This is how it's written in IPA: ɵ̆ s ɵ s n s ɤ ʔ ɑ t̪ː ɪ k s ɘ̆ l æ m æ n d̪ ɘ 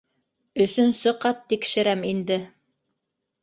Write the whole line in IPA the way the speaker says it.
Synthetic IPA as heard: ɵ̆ s ɵ n s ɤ q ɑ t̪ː i k ʃ ɘ̆ ɾ æ m i n d̪ ɘ